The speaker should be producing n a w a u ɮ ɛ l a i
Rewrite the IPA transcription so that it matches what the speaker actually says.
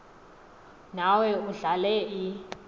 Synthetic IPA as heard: n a w ɛ u ɮ a l ɛ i